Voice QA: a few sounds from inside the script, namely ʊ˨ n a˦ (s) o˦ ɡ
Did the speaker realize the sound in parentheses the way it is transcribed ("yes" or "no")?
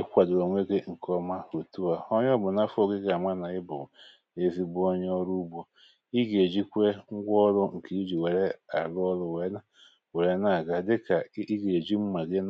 no